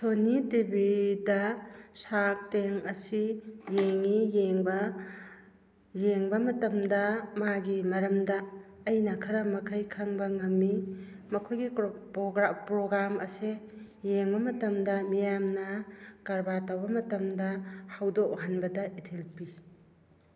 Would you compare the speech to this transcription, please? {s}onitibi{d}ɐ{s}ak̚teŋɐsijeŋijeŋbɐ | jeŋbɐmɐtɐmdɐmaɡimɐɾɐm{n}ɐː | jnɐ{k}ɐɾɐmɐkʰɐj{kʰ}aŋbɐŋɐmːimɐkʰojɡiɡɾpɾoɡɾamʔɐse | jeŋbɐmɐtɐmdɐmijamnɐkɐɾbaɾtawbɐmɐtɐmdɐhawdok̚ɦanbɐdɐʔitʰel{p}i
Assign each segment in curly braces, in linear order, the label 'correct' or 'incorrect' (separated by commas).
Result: correct, correct, correct, incorrect, incorrect, correct, correct